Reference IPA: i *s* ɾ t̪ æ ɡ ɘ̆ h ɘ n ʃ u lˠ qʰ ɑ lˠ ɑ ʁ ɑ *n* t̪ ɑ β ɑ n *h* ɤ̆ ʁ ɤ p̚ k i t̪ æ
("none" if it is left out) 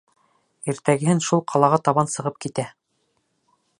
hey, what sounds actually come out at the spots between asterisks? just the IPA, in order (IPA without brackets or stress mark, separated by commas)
none, none, s